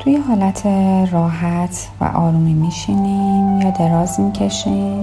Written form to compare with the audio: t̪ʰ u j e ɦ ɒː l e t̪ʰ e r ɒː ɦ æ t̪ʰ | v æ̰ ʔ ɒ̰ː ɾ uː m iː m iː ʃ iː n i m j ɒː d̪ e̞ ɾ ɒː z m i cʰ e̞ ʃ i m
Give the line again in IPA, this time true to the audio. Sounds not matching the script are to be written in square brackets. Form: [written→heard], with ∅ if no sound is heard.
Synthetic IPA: t̪ʰ u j e ɦ ɒː l [e→æ] t̪ʰ e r ɒː ɦ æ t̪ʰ | v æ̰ ʔ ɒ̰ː ɾ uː m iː m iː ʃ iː n i m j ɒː d̪ e̞ ɾ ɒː z m i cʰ e̞ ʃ i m